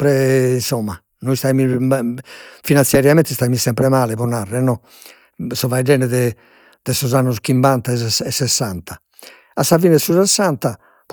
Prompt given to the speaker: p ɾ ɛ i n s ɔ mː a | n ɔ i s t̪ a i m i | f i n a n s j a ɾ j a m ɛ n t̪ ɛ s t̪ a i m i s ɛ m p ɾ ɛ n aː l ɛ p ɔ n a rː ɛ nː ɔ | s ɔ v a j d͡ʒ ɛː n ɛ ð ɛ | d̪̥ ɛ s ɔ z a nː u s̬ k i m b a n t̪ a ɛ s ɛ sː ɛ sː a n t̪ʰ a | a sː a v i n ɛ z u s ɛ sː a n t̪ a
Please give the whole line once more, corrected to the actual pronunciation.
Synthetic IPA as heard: p ɾ ɛ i n s ɔ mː a | n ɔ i s t̪ a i m i | f i n a n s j a ɾ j a m ɛ n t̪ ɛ s t̪ a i m i s ɛ m p ɾ ɛ m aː l ɛ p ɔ n a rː ɛ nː ɔ | s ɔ v a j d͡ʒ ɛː n ɛ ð ɛ | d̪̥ ɛ s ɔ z a nː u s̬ k i m b a n t̪ a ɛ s ɛ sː ɛ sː a n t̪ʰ a | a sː a v i n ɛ s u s ɛ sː a n t̪ a